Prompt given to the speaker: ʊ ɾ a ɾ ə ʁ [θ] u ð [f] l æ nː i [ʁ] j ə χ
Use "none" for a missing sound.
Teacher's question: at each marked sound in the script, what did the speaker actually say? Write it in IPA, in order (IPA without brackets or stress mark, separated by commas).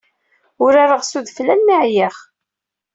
s, f, ʕ